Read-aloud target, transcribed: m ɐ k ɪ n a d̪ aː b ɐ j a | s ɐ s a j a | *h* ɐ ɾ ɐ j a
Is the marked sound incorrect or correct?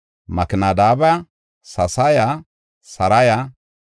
incorrect